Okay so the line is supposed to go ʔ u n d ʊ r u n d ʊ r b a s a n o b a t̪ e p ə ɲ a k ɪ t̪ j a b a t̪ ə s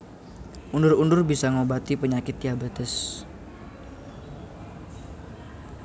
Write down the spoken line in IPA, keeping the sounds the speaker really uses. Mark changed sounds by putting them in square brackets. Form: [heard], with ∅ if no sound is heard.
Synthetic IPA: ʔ u n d ʊ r u n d ʊ r b [i] s a [ŋ] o b a t̪ [i] p ə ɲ a k ɪ t̪ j a b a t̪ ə s